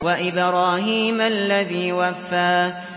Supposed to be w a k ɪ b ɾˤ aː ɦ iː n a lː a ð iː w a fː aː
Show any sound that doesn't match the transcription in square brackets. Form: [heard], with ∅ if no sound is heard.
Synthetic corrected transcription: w a [ʔ] ɪ b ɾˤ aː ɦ iː [m] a lː a ð iː w a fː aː